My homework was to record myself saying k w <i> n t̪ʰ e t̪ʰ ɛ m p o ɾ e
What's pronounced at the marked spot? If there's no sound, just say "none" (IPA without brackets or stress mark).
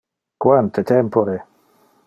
a